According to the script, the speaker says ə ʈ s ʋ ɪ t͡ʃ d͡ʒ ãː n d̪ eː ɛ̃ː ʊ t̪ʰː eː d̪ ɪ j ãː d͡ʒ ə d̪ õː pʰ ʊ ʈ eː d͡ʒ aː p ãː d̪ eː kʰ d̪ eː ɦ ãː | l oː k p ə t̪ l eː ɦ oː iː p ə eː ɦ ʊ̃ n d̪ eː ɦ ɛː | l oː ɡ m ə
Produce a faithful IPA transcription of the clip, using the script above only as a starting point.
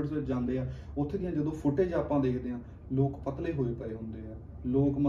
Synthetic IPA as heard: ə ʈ s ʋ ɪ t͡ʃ d͡ʒ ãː n d̪ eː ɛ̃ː ʊ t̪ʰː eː d̪ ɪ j ãː d͡ʒ ə d̪ õː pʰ ʊ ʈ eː d͡ʒ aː p ãː d̪ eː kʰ d̪ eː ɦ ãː | l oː k p ə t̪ l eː ɦ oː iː p ə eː ɦ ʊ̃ n d̪ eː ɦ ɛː | l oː k m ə